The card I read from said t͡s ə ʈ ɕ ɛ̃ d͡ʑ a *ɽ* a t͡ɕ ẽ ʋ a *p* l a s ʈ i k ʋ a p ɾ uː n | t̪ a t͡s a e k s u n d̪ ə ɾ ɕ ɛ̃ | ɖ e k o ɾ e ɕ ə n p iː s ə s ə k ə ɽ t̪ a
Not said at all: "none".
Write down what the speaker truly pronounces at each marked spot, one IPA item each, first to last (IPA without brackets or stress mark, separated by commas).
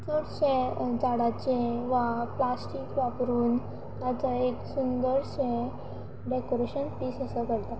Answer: ɽ, p